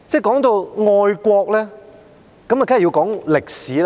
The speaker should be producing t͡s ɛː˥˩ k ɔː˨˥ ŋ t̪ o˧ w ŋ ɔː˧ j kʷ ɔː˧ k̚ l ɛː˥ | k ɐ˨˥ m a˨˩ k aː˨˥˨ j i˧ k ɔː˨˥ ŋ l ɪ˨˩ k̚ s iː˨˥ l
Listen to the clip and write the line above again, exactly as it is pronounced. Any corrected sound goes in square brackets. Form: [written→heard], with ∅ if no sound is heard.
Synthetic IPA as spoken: t͡s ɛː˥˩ k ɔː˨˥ ŋ t̪ o˧ w ŋ ɔː˧ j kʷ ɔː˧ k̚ l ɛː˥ | k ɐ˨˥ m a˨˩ k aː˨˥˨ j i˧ k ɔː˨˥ ŋ l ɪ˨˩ k̚ s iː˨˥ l